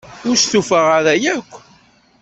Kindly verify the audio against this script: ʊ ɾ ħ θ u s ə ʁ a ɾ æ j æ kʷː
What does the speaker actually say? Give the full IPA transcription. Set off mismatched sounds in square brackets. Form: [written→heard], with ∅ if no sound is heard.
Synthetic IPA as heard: ʊ ɾ [ħ→s] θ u [s→f] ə ʁ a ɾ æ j æ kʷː